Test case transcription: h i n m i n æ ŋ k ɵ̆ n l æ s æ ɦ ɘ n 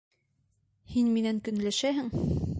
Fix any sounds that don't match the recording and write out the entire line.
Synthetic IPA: h i n m i n æ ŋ k ɵ̆ n l æ ʃ æ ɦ ɘ ŋ